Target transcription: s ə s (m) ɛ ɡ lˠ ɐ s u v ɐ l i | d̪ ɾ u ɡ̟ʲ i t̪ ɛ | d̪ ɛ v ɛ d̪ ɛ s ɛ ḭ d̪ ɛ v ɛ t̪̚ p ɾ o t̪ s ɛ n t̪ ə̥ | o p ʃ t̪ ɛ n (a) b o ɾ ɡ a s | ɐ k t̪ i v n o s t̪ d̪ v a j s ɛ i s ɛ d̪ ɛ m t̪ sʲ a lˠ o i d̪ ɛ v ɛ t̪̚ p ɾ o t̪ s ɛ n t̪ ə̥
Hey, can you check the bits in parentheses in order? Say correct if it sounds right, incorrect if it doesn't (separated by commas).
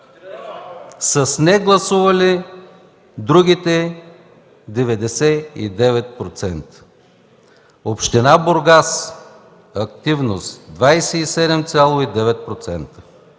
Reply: incorrect, correct